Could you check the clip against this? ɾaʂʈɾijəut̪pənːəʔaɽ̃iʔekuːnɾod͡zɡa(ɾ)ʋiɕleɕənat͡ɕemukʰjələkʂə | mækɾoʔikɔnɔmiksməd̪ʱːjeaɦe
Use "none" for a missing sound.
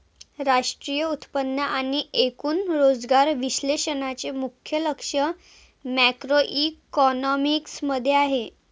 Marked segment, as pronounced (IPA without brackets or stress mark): ɾ